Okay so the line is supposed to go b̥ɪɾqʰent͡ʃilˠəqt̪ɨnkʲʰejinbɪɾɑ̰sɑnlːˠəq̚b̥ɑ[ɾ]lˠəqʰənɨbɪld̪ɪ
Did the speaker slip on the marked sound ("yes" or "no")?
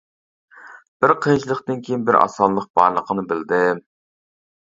no